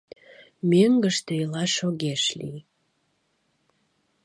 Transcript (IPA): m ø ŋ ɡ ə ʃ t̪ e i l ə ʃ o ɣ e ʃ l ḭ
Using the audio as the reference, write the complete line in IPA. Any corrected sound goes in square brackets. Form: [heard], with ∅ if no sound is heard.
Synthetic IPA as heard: m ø ŋ ɡ ə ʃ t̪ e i l [ɑ] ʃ o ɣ e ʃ l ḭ